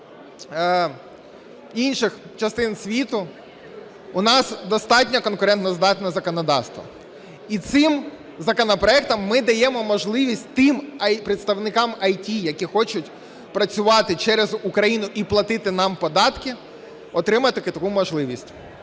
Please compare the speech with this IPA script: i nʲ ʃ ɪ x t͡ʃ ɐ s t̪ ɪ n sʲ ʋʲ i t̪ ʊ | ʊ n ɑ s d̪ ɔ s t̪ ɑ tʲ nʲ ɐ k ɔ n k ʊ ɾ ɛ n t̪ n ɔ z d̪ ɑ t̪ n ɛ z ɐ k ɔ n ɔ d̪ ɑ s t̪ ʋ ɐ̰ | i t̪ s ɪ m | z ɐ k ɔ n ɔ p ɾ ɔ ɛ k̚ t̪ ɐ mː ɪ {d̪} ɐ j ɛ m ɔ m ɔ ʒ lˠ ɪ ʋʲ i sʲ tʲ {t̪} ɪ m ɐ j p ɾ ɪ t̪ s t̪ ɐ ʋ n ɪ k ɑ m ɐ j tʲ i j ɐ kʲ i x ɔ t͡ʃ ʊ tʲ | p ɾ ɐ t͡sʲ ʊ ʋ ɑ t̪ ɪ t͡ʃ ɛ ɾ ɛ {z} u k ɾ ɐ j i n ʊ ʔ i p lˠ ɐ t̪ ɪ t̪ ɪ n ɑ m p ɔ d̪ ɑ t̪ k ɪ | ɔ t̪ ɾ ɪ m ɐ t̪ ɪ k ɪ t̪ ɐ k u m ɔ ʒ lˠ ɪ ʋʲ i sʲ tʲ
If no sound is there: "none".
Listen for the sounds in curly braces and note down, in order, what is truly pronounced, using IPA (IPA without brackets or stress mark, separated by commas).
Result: d̪, t̪, z